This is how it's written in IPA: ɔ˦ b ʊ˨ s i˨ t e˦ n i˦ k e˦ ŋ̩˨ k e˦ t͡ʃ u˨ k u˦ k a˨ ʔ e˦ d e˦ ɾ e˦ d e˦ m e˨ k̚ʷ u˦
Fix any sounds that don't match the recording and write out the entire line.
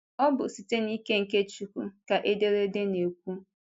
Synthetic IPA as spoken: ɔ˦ b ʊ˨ s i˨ t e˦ n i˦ k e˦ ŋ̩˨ k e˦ t͡ʃ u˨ k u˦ k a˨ ʔ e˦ d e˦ ɾ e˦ d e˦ n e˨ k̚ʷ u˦